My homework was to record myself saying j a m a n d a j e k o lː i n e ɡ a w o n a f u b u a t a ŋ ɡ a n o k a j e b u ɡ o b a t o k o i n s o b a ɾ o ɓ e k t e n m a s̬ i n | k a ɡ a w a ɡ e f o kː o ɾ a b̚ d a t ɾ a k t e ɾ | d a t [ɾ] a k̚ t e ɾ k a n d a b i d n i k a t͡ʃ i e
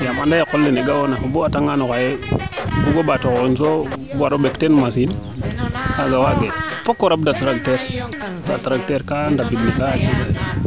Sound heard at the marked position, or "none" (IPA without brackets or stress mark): ɾ